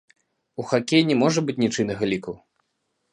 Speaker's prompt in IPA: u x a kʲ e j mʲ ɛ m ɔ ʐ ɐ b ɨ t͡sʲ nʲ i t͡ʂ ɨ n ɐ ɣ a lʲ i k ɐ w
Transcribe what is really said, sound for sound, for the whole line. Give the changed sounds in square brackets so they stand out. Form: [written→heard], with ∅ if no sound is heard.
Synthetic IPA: u x a kʲ e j [mʲ→nʲ] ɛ m ɔ ʐ ɐ b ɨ t͡sʲ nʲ i t͡ʂ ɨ n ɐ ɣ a lʲ i k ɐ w